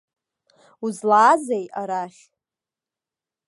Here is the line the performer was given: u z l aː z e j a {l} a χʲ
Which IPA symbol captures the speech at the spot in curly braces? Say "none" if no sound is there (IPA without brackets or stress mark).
ɾ